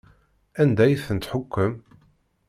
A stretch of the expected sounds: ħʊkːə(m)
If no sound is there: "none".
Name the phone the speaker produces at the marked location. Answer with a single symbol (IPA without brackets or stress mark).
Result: m